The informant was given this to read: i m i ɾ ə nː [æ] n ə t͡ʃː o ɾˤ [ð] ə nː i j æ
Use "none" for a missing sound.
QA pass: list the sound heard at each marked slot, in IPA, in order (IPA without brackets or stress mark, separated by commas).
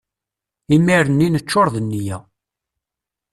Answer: i, ð